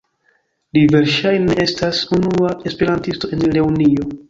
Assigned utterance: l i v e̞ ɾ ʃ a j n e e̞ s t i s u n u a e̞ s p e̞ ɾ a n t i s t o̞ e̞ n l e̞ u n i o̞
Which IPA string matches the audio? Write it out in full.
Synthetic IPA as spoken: l i v e̞ ɾ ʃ a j n e e̞ s t a s u n u a e̞ s p e̞ ɾ a n t i s t o̞ e̞ n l e̞ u n i o̞